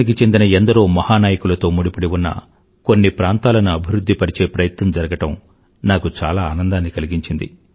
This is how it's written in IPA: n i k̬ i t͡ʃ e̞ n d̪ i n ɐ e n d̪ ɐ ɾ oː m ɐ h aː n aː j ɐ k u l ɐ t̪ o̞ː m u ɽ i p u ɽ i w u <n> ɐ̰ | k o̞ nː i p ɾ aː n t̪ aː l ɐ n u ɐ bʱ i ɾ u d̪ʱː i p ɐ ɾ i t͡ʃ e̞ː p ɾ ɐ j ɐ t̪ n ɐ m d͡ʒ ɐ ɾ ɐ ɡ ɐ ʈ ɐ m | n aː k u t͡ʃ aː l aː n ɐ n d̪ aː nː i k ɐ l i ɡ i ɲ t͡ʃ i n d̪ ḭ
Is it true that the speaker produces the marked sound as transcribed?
no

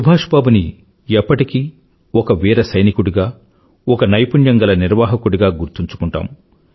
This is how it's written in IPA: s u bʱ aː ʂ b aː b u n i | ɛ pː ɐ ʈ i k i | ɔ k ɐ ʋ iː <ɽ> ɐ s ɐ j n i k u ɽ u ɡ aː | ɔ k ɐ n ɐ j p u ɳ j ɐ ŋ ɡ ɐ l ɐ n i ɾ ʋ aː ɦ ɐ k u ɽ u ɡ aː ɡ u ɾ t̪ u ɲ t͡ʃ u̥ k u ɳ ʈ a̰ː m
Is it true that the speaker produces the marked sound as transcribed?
no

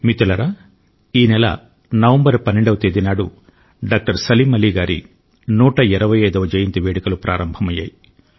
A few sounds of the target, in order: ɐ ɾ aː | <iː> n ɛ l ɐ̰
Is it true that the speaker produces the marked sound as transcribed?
yes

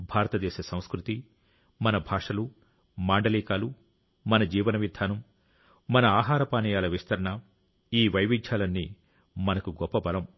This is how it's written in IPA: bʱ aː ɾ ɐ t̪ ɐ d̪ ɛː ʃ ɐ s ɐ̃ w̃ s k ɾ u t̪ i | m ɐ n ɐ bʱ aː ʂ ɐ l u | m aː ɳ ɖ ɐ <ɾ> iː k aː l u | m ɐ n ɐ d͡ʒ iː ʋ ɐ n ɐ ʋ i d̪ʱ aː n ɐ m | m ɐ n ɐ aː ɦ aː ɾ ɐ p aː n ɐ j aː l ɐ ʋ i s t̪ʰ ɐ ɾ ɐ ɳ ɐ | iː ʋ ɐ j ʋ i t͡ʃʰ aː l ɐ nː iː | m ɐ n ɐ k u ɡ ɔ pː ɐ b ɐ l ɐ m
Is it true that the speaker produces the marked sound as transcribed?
no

